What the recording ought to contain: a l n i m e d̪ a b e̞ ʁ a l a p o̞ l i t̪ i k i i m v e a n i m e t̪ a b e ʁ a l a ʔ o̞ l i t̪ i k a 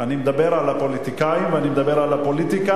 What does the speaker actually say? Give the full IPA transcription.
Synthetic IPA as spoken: a n i m e d̪ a b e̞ ʁ a l a p o̞ l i t̪ i k a i m v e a n i m e d̪ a b e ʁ a l a p o̞ l i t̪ i k a